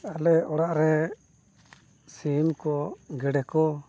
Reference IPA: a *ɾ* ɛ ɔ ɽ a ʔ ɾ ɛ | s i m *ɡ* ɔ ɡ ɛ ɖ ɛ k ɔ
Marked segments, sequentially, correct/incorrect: incorrect, incorrect

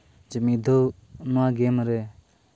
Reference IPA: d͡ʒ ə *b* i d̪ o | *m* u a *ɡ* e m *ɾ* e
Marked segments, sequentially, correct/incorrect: incorrect, incorrect, correct, correct

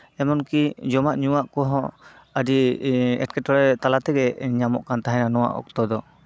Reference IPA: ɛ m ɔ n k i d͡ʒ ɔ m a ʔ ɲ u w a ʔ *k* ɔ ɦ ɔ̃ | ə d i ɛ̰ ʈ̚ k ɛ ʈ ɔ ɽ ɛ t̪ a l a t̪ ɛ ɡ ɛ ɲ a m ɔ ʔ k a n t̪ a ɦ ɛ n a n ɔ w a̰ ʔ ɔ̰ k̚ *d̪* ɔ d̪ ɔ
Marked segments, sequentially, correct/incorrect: correct, incorrect

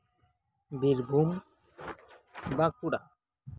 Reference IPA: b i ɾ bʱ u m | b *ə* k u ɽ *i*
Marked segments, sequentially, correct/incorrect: incorrect, incorrect

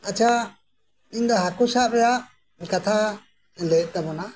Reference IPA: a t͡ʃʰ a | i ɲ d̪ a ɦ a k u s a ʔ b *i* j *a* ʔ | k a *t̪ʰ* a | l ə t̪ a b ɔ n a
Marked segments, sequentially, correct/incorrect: incorrect, correct, correct

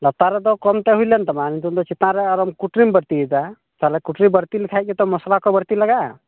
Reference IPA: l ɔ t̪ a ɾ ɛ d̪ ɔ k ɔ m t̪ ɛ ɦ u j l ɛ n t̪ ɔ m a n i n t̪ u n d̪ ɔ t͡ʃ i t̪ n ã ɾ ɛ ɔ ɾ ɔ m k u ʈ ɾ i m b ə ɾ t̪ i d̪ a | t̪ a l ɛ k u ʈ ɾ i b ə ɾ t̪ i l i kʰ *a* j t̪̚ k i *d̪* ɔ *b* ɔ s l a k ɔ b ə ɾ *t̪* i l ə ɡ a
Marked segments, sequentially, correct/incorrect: correct, incorrect, incorrect, correct

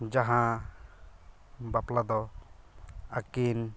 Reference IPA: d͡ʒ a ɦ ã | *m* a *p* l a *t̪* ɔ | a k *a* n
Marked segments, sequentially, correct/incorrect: incorrect, correct, incorrect, incorrect

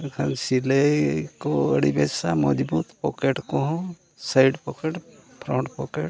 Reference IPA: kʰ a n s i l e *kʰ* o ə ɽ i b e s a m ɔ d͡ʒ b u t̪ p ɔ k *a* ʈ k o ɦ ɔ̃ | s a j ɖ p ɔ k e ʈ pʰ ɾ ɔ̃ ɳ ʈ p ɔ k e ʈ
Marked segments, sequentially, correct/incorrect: incorrect, incorrect

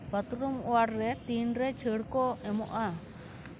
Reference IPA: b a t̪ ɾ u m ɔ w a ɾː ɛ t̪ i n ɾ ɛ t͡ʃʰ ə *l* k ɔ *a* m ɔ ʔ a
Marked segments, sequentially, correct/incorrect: incorrect, incorrect

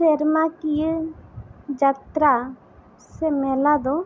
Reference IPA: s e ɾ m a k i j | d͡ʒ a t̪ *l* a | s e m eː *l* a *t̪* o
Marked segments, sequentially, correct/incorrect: incorrect, correct, incorrect

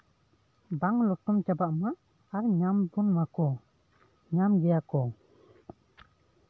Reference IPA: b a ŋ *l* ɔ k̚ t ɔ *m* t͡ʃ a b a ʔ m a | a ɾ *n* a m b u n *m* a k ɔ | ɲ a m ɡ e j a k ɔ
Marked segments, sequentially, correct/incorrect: correct, correct, incorrect, correct

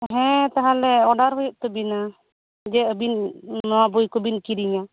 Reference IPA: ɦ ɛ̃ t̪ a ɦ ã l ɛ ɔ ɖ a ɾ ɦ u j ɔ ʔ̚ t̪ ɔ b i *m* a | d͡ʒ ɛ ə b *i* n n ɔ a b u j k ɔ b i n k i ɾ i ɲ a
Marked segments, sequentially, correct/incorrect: incorrect, correct

